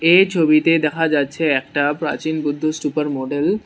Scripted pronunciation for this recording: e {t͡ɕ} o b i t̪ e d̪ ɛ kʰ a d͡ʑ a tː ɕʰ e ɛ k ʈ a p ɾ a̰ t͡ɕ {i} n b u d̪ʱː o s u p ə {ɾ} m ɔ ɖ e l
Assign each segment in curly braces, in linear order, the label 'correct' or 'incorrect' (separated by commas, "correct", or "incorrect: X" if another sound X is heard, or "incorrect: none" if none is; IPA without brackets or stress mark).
incorrect: t͡ɕʰ, correct, correct